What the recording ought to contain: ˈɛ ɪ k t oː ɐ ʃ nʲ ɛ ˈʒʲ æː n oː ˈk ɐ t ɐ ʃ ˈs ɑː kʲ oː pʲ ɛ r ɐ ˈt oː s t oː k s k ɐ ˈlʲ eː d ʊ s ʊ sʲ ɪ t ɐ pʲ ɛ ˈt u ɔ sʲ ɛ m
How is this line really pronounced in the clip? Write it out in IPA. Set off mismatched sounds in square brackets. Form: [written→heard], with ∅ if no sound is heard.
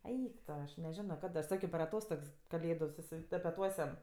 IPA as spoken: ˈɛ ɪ k t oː ɐ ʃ nʲ ɛ ˈʒʲ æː n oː ˈk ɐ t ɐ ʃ ˈs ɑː kʲ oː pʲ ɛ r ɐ ˈt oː s t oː k s k ɐ ˈlʲ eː d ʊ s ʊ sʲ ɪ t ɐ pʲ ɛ ˈt u ɔ sʲ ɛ m